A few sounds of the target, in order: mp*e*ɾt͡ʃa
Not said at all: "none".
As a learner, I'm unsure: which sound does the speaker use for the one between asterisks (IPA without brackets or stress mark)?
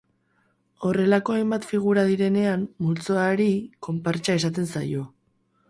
a